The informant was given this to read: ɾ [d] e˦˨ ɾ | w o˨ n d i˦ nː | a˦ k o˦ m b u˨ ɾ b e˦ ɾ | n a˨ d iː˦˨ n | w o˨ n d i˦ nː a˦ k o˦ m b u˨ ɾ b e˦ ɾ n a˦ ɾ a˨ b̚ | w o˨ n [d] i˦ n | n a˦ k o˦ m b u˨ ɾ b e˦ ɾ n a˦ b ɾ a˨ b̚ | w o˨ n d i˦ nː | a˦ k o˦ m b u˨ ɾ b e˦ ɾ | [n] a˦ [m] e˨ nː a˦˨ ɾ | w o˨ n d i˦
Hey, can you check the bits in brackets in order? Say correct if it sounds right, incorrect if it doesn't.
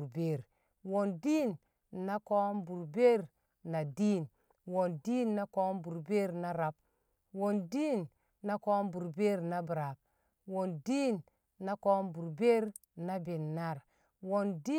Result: incorrect: b, correct, correct, incorrect: b

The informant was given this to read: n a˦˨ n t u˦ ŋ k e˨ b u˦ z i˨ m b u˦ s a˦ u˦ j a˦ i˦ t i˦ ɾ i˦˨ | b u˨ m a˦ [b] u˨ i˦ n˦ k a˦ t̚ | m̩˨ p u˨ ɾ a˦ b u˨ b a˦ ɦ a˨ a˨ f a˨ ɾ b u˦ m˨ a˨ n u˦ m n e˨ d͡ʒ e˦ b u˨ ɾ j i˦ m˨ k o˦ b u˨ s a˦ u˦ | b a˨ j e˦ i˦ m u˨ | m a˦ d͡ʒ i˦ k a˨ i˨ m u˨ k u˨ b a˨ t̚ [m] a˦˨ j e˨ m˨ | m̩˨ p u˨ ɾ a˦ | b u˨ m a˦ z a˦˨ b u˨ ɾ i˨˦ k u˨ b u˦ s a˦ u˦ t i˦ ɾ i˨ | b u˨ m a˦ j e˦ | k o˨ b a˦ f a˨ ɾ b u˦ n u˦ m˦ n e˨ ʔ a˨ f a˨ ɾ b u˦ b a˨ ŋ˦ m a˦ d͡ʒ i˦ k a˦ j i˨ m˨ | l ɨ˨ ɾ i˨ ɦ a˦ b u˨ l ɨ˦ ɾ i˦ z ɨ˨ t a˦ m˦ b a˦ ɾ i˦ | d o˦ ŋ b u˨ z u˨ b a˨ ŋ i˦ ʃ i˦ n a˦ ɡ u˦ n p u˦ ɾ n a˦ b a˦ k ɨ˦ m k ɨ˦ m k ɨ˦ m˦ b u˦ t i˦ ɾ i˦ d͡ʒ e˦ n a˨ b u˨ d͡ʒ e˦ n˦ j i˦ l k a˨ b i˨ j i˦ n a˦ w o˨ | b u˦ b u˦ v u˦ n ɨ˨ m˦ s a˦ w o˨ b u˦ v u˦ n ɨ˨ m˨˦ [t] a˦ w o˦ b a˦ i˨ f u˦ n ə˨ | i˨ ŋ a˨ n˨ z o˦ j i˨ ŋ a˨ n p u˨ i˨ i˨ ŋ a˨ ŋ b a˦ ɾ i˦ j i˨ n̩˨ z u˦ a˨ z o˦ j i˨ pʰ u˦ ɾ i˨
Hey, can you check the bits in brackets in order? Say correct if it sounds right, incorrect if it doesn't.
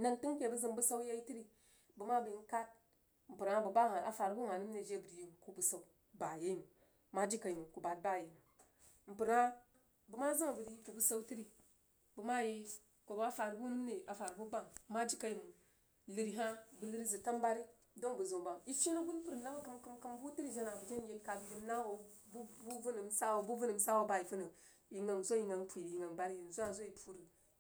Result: correct, incorrect: b, incorrect: s

